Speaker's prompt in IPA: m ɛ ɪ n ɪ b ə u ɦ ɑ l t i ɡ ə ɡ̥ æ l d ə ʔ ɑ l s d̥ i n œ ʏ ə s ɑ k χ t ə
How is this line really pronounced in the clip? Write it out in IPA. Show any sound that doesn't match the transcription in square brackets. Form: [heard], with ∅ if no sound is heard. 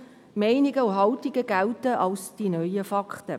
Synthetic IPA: m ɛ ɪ n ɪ [ɡ] ə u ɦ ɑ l t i ɡ ə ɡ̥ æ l [t] ə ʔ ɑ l s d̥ i n œ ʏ ə [f] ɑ k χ t ə